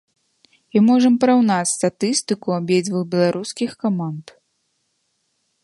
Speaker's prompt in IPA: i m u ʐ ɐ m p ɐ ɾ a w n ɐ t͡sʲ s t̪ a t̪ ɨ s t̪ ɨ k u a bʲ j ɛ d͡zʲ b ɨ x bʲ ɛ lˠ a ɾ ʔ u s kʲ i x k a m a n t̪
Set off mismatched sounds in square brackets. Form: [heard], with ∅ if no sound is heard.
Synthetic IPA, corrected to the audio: i m [ɔ] ʐ ɐ m p ɐ ɾ a w n [a] t͡sʲ s t̪ a t̪ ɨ s t̪ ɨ k u a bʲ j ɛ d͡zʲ [v] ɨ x bʲ ɛ lˠ a ɾ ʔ u s kʲ i x k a m a n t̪